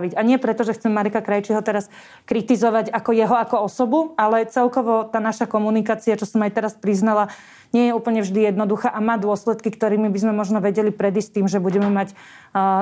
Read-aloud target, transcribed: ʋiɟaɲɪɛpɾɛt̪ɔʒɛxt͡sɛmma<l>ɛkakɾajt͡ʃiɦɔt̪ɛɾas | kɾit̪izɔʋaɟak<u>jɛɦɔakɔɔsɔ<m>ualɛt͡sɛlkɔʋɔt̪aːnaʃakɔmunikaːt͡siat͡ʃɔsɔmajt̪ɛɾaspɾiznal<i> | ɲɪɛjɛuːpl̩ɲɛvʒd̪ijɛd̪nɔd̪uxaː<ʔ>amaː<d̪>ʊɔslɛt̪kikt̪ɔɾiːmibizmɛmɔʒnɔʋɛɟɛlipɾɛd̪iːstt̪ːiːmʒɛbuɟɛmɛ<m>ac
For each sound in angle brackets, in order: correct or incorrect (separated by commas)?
incorrect, incorrect, incorrect, incorrect, correct, correct, correct